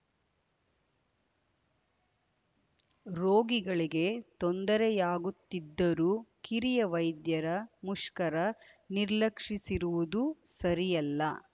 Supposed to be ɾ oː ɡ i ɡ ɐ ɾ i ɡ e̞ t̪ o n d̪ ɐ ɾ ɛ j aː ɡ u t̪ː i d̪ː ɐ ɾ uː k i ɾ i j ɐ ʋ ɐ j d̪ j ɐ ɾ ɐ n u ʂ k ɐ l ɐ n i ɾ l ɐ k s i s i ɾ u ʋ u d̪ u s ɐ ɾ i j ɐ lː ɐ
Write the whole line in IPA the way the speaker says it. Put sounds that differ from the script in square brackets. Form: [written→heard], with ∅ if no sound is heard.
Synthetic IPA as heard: ɾ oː ɡ i ɡ ɐ [ɾ→ɭ] i ɡ e̞ t̪ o n d̪ ɐ ɾ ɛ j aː ɡ u t̪ː i d̪ː ɐ ɾ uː k i ɾ i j ɐ ʋ ɐ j d̪ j ɐ ɾ ɐ [n→m] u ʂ k ɐ [l→ɾ] ɐ n i ɾ l ɐ k [s→ʂ] i s i ɾ u ʋ u d̪ u s ɐ ɾ i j ɐ lː ɐ